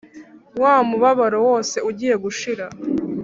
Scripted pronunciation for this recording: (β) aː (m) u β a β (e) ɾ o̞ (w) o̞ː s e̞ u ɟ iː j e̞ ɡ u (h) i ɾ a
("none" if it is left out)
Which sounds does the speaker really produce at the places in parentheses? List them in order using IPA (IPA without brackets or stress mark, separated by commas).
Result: w, m, a, w, ʃ